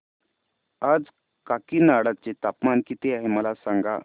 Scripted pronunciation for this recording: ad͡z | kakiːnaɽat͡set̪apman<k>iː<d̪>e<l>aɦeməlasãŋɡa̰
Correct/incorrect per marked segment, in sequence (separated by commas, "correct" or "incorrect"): correct, incorrect, incorrect